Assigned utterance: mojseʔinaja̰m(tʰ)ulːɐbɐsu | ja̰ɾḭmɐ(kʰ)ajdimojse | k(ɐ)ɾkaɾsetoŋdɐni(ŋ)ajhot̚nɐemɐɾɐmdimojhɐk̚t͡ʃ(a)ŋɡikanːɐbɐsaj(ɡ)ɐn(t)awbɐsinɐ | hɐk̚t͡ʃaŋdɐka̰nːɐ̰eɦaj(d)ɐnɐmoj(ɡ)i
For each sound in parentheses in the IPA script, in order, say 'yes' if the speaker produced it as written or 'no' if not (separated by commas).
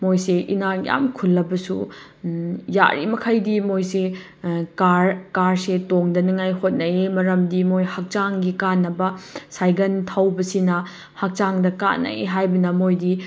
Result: no, yes, no, yes, yes, yes, no, no, no